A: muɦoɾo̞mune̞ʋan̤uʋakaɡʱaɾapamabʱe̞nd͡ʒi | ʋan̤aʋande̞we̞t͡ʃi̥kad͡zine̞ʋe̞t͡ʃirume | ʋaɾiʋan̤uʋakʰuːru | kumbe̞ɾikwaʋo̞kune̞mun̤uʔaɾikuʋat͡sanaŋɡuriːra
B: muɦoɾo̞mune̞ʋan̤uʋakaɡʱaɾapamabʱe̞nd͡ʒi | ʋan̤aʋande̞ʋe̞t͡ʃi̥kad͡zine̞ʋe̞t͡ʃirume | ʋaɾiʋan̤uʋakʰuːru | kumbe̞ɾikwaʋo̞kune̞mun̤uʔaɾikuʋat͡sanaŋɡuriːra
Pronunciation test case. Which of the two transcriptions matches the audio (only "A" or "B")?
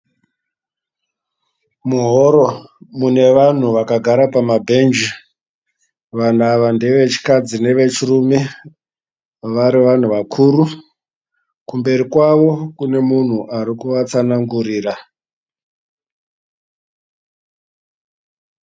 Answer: B